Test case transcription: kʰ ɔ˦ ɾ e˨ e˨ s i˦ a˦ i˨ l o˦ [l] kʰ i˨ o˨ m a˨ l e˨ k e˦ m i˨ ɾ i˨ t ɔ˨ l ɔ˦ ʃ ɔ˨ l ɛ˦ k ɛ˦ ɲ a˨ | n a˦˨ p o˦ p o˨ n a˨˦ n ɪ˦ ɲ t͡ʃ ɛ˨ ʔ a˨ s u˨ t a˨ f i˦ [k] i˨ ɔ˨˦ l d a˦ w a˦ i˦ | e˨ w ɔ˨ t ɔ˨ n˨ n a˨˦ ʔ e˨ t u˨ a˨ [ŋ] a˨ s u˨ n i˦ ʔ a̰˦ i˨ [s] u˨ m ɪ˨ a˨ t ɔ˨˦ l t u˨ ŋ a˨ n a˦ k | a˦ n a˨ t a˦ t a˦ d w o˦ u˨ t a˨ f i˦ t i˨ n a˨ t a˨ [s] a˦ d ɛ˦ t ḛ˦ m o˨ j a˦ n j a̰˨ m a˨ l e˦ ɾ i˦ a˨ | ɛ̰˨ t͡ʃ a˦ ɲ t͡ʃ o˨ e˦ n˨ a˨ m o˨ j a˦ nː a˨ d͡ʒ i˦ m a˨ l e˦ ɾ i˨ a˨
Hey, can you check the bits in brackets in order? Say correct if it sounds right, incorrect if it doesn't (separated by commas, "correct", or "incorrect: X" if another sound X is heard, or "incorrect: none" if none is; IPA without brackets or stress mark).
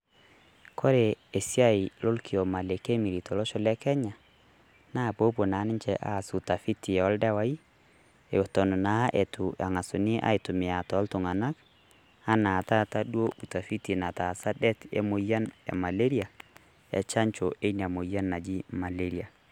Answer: correct, incorrect: t, correct, incorrect: t, correct